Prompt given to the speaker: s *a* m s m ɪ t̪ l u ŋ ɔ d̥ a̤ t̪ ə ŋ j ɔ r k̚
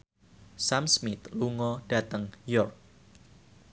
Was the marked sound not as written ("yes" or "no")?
no